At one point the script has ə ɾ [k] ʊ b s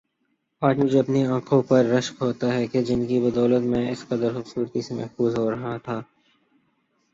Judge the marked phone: incorrect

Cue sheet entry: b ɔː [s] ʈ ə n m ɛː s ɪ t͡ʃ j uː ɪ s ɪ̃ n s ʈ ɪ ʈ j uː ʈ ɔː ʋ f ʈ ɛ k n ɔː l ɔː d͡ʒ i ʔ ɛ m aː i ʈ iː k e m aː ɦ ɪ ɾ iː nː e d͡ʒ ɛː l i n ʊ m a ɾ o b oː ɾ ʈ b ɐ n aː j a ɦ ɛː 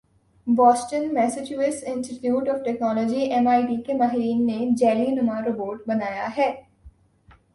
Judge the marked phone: correct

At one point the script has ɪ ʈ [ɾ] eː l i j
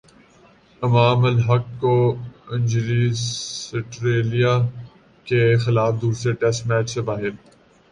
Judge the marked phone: correct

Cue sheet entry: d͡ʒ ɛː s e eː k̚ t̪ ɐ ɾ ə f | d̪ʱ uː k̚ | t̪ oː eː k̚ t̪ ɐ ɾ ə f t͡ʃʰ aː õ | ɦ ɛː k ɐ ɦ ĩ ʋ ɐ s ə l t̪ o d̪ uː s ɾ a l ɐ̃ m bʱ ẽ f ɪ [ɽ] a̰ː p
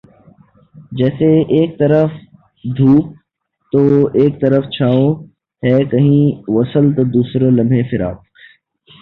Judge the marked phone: incorrect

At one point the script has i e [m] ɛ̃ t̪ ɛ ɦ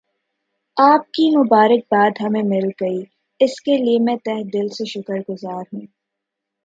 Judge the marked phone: correct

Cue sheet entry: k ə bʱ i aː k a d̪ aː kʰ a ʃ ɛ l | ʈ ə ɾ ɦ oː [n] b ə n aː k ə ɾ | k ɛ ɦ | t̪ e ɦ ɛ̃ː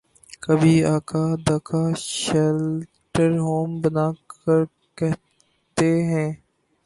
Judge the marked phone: incorrect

